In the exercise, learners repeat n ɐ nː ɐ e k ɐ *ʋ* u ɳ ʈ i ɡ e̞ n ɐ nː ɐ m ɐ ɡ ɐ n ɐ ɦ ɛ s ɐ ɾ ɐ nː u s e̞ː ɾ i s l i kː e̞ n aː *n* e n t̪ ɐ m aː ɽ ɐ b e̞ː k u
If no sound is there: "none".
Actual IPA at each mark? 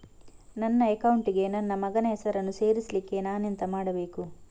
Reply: w, n

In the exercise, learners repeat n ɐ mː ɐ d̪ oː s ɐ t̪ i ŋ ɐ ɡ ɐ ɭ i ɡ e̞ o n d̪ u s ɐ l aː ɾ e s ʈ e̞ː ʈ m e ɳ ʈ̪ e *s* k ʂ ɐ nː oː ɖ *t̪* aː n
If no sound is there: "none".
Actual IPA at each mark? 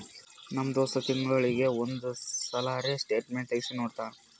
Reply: none, t̪

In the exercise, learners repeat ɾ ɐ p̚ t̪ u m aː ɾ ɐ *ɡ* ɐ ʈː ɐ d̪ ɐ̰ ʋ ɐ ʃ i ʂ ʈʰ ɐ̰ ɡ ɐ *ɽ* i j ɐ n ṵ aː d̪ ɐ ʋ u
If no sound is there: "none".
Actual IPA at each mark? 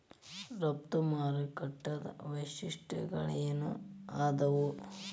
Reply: k, ɭ

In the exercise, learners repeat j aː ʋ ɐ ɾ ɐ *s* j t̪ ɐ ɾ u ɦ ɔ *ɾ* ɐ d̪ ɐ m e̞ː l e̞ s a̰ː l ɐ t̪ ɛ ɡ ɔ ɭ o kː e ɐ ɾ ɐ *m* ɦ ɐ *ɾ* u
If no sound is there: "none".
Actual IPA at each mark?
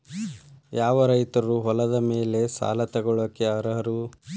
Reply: none, l, none, ɾ

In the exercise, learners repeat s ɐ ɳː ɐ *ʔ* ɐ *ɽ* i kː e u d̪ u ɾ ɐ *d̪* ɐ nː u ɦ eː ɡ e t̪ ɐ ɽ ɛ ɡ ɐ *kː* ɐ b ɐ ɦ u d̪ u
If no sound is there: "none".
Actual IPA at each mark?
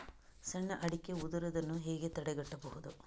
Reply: ʔ, ɽ, d̪, ʈː

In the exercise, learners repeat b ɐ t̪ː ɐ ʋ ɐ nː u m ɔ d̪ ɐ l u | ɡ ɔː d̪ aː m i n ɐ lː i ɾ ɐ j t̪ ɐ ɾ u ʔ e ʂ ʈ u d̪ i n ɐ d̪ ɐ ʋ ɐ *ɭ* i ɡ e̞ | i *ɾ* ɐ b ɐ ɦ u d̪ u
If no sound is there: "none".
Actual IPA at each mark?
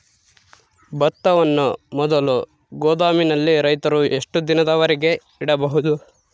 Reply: ɾ, ɽ

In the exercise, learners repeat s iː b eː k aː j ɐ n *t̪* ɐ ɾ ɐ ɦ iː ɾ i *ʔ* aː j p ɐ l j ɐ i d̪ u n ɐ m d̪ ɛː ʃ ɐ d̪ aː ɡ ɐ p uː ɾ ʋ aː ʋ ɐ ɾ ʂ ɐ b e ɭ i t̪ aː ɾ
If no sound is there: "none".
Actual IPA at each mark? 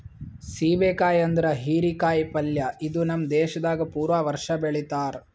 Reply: d̪, k

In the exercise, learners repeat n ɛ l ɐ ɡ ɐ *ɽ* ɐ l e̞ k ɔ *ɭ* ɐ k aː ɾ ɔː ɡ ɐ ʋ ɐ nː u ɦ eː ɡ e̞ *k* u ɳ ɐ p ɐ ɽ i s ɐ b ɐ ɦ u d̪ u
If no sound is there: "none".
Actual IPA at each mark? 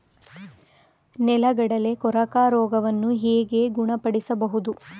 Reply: ɽ, ɾ, ɡ

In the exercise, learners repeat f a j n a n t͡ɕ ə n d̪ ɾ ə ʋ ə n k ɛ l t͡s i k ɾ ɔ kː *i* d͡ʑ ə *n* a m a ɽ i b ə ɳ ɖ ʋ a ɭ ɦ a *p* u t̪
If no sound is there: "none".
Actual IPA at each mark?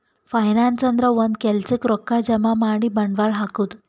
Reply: a, m, k

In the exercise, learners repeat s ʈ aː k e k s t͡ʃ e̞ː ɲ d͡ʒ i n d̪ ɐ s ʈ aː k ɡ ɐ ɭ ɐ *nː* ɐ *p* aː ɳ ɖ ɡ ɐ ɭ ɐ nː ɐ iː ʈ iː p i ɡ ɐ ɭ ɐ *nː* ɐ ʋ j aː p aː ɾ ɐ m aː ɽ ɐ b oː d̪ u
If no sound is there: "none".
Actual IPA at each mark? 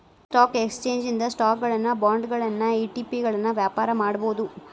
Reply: nː, b, nː

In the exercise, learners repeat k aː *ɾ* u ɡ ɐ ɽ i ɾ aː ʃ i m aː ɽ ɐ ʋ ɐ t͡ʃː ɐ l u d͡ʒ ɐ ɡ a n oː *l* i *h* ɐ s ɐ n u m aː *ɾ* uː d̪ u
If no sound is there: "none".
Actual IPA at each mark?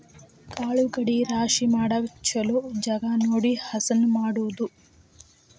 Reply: ɭ, ɽ, h, ɽ

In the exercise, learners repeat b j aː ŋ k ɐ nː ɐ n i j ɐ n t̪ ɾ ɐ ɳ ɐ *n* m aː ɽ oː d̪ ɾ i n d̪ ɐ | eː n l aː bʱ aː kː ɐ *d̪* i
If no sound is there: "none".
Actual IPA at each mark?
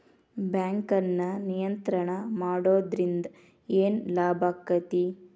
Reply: none, t̪

